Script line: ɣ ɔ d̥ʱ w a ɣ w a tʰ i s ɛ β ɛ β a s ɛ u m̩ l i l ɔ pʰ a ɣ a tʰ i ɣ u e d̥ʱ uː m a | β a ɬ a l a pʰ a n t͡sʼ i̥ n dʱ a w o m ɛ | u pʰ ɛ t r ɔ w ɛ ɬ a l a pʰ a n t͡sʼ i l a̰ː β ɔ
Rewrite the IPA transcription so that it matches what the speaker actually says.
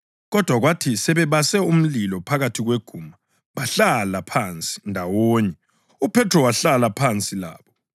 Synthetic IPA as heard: ɣ ɔ d̥ʱ w a ɣ w a tʰ i s ɛ β ɛ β a s ɛ u m̩ l i l ɔ pʰ a ɣ a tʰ i ɣ w e ɡ̥ʱ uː m a | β a ɬ a l a pʰ a n t͡sʼ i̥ n dʱ a w o ɲ ɛ | u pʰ ɛ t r ɔ w a ɬ a l a pʰ a n t͡sʼ i l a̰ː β ɔ